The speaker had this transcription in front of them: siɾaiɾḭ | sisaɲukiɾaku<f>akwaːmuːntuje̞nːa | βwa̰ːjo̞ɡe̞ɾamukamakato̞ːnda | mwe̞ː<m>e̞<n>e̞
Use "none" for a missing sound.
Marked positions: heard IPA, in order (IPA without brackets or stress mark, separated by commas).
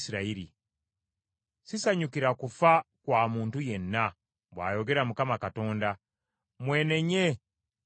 f, n, ɲ